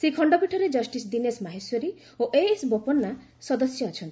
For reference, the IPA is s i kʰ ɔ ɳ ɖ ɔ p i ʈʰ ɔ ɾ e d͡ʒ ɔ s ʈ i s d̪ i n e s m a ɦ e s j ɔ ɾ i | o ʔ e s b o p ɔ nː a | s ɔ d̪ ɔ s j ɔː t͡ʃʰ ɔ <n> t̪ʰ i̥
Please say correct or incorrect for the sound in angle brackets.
correct